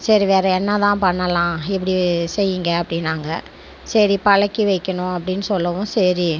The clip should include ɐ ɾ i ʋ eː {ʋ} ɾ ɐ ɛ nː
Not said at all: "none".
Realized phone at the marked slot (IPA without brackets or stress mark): none